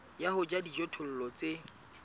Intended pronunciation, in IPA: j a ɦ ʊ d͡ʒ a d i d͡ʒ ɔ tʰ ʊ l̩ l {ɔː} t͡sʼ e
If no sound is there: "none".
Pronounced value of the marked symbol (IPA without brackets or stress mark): ɔ